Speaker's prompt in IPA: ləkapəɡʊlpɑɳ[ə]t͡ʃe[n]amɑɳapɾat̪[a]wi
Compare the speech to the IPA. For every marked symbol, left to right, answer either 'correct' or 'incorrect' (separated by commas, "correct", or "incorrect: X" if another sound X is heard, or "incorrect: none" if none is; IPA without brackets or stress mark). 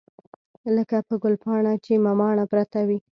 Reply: incorrect: a, incorrect: m, correct